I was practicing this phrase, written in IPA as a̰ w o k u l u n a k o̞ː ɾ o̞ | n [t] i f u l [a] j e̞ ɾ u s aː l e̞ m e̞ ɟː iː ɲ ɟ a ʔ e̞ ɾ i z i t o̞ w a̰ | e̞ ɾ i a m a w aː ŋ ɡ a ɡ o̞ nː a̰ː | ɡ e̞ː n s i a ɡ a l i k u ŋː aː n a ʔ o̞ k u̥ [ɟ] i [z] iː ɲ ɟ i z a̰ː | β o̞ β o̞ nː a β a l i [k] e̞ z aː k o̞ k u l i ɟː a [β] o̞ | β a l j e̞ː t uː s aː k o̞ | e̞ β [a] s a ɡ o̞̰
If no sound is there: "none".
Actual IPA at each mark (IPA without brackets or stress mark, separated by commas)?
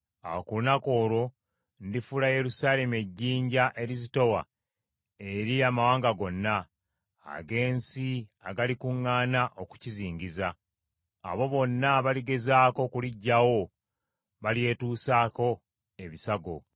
d, a, c, z, ɡ, w, i